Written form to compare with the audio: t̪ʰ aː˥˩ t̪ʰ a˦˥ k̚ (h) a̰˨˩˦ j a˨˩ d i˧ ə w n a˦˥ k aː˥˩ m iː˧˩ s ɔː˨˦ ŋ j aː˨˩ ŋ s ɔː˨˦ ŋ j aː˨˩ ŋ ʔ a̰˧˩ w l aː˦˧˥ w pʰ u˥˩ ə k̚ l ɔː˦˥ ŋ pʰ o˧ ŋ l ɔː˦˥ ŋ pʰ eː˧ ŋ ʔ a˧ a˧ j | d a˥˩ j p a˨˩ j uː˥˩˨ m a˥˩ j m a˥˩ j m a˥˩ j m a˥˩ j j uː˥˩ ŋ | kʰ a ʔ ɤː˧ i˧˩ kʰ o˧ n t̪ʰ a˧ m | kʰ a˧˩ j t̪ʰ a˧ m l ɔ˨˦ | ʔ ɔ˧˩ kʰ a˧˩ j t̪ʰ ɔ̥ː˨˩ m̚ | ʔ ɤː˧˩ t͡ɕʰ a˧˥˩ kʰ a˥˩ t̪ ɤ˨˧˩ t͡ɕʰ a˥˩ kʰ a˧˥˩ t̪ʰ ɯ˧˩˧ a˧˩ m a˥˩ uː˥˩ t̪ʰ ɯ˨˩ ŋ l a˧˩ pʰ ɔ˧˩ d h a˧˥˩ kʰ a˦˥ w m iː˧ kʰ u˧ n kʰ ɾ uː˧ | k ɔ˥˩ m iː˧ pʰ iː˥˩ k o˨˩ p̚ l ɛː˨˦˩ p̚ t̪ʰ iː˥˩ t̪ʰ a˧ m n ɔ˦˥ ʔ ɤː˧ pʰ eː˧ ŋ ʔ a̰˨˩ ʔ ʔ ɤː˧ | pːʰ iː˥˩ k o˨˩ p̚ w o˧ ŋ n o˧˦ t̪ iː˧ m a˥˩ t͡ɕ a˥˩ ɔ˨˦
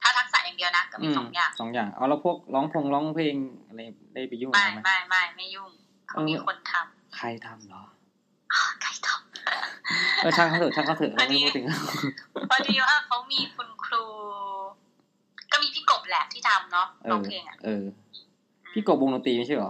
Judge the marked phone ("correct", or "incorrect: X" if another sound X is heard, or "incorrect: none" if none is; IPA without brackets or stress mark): incorrect: s